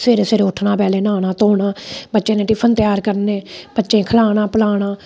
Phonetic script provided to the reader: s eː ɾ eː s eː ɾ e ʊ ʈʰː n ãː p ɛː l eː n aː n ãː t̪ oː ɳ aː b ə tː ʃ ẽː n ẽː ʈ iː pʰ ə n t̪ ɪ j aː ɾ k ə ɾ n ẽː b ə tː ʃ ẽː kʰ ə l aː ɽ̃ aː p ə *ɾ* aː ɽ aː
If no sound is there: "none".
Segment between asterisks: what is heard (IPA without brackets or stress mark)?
l